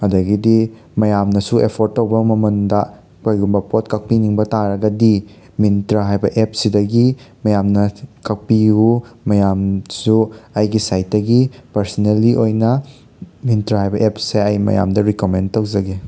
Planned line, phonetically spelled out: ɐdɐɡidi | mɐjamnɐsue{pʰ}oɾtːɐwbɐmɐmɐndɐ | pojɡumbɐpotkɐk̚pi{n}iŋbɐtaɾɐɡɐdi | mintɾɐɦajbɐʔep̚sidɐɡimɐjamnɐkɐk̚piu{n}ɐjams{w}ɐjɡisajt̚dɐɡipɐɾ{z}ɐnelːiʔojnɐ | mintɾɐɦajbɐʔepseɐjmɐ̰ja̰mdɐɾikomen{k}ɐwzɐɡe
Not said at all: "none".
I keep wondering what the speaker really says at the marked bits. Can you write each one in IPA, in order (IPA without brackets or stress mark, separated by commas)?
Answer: pʰ, n, m, u, s, t